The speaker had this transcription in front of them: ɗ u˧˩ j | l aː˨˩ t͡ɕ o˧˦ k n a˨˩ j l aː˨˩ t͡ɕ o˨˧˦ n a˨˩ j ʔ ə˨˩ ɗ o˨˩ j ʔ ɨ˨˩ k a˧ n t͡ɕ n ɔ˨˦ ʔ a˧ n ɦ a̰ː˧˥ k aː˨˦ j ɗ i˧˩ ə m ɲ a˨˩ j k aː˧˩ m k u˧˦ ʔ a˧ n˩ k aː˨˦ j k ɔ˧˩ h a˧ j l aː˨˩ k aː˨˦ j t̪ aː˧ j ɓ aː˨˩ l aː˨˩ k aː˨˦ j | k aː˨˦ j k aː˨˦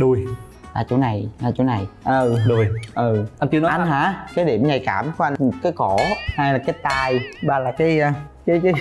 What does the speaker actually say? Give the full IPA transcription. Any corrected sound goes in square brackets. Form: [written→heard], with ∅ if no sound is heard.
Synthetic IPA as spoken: ɗ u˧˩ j | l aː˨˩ t͡ɕ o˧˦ [k→∅] n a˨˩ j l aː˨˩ t͡ɕ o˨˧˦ n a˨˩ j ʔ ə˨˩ ɗ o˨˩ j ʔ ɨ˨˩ [k→ʔ] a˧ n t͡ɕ n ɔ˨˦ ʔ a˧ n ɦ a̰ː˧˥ k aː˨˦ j ɗ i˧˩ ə m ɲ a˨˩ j k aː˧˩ m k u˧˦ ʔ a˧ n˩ k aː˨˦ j k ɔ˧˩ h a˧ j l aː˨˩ k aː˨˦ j t̪ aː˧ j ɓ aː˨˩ l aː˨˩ k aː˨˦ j | k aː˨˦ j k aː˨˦

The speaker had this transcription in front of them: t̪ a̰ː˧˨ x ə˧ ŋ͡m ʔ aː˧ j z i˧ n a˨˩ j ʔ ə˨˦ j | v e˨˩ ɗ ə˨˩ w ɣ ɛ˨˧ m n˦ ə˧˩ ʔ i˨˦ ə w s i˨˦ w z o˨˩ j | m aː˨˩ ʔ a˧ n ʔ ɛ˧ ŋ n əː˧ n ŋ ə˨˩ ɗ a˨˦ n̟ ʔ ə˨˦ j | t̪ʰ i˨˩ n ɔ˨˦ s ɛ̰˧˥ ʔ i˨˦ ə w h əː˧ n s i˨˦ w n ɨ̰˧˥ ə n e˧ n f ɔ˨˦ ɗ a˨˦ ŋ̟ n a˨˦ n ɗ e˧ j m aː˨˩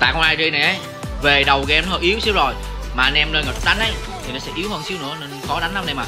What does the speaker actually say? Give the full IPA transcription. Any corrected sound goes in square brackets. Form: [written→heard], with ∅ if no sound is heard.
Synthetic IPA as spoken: t̪ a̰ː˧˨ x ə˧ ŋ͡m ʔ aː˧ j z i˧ n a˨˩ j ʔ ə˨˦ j | v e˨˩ ɗ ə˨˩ w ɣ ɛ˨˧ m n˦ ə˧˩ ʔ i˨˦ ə w s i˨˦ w z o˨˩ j | m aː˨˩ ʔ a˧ n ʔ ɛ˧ [ŋ→m] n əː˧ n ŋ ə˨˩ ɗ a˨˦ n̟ ʔ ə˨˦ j | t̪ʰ i˨˩ n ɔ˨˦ s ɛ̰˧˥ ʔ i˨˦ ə w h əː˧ n s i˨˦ w n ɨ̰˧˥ ə n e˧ n [f→x] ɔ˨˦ ɗ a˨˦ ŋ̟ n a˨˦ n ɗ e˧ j m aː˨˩

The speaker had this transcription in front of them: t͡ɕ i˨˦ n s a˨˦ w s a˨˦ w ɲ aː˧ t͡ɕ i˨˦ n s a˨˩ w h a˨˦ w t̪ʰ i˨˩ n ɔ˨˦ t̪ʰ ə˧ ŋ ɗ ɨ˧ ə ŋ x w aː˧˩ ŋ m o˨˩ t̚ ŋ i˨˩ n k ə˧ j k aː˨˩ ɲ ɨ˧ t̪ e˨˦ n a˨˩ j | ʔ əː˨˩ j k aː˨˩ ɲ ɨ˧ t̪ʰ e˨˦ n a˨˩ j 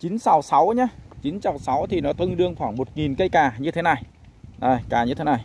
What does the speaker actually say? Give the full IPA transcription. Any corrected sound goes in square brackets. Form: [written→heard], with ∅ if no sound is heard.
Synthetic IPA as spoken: t͡ɕ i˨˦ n s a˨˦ w s a˨˦ w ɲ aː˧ t͡ɕ i˨˦ n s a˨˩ w [h→s] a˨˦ w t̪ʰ i˨˩ n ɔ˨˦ [t̪ʰ→t̪] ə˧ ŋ ɗ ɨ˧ ə ŋ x w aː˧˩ ŋ m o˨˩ t̚ ŋ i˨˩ n k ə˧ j k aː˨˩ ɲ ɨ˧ [t̪→t̪ʰ] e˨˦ n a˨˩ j | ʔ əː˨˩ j k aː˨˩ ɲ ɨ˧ t̪ʰ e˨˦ n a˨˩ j

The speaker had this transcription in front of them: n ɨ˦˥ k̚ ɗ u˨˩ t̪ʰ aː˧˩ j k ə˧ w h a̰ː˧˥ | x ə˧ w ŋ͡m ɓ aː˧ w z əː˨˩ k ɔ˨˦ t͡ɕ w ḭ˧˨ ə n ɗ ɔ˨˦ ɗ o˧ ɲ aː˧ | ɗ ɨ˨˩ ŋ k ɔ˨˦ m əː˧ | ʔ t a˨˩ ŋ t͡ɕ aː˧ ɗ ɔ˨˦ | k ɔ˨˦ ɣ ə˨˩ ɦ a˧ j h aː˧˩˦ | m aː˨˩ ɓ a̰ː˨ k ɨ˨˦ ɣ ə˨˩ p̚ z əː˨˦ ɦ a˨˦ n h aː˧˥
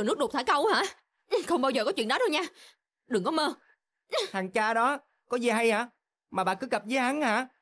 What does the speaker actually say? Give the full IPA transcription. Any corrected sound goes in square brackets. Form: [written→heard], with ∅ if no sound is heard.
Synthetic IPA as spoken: n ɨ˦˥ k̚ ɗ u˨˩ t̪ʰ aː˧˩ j k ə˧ w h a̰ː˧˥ | x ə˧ w ŋ͡m ɓ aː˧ w z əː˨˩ k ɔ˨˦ t͡ɕ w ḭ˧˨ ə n ɗ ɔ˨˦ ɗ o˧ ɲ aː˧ | ɗ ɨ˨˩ ŋ k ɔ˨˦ m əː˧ | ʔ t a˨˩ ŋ t͡ɕ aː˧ ɗ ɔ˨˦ | k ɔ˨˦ [ɣ→z] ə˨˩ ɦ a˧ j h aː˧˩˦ | m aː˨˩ ɓ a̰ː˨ k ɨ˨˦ ɣ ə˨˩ p̚ z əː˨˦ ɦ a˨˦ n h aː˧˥

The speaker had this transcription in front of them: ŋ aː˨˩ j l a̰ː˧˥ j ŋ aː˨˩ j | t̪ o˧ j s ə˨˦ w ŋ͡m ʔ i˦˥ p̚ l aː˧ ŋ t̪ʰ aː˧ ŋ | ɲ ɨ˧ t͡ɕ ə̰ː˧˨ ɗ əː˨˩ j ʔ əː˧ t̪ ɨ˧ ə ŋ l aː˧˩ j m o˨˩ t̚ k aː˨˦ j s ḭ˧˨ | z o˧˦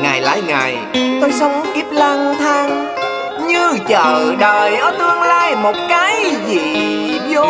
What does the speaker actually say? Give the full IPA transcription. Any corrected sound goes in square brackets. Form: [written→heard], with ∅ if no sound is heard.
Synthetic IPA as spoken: ŋ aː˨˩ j l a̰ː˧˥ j ŋ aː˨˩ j | t̪ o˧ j s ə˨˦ w ŋ͡m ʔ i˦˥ p̚ l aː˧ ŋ t̪ʰ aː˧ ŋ | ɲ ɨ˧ t͡ɕ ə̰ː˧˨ ɗ əː˨˩ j ʔ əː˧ t̪ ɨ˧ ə ŋ l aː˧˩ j m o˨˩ t̚ k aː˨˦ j [s→z] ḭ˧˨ | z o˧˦

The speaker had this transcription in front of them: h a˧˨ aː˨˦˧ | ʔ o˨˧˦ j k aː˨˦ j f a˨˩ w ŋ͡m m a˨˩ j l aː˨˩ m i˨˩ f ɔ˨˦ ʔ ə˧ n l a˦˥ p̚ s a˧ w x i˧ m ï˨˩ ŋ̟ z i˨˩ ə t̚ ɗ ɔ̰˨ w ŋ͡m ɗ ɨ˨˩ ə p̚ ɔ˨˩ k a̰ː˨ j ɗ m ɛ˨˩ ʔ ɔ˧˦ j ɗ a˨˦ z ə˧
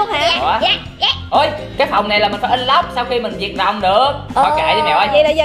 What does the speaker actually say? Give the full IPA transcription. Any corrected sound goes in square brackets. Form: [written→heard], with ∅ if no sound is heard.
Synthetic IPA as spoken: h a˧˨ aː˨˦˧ | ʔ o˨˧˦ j k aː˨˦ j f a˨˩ w ŋ͡m [m→n] a˨˩ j l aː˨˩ m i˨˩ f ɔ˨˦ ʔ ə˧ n l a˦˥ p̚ s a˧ w x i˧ m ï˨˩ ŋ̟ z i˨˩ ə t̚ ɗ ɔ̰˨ w ŋ͡m ɗ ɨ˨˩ ə [p̚→k̚] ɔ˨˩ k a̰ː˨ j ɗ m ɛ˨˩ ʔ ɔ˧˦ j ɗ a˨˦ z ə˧

